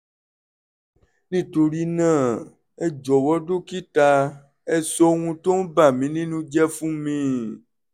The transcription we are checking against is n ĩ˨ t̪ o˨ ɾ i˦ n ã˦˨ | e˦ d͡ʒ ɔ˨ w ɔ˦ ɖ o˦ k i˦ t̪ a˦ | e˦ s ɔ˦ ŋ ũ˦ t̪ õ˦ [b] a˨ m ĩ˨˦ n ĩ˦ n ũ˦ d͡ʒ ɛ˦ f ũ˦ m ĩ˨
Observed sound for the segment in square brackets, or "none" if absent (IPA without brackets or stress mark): b